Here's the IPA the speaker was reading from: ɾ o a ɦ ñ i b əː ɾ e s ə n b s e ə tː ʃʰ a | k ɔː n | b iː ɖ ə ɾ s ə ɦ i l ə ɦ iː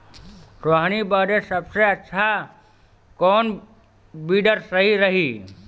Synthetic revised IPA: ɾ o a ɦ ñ i b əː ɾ e s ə b s e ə tː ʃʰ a | k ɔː n | b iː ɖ ə ɾ s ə ɦ i ɾ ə ɦ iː